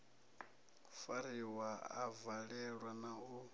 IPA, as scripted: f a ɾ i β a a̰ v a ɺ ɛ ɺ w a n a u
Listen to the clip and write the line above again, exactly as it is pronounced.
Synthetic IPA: f a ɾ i w a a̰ v a ɺ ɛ ɺ w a n a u

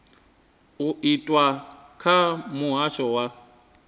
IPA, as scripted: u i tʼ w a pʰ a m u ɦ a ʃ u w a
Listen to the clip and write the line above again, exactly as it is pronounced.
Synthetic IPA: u i tʼ w a kʰ a m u ɦ a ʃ ɔ w a

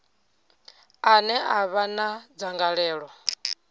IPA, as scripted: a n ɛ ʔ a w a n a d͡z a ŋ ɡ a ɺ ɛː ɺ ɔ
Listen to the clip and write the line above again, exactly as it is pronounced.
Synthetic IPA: a n ɛ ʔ a β a n a d͡z a ŋ ɡ a ɺ ɛː ɺ ɔ

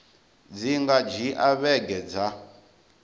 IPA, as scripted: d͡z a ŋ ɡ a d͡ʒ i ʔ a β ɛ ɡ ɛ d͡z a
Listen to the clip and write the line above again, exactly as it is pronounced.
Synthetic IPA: d͡z i ŋ ɡ a d͡ʒ i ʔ a β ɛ ɡ ɛ d͡z a

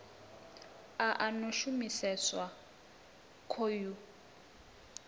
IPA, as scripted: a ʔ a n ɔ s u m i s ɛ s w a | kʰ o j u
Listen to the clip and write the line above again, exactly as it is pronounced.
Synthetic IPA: a ʔ a n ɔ ʃ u m i s ɛ s w a | kʰ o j u

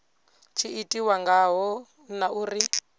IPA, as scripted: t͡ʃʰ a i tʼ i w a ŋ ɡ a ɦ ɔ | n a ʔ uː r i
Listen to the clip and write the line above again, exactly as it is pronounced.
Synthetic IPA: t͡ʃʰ i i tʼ i w a ŋ ɡ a ɦ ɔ | n a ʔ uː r i

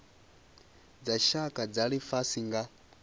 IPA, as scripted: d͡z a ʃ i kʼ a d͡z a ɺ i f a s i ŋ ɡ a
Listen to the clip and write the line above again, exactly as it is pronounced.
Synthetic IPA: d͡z a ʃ a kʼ a d͡z a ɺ i f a s i ŋ ɡ a

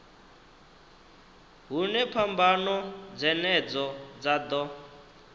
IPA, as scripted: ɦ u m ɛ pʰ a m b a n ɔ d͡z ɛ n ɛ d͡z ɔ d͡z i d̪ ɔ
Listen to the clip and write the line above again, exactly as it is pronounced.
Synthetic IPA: ɦ u n ɛ pʰ a m b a n ɔ d͡z ɛ n ɛ d͡z ɔ d͡z a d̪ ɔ

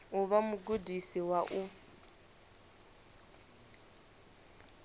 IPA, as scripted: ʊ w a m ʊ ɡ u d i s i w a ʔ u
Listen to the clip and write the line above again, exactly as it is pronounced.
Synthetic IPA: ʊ β a m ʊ ɡ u d i s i w a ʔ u

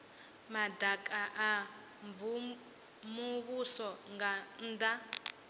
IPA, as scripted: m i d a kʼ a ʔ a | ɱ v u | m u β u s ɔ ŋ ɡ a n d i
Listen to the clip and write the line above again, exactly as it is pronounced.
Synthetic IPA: m a d a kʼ a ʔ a | ɱ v u | m u β u s ɔ ŋ ɡ a n d a

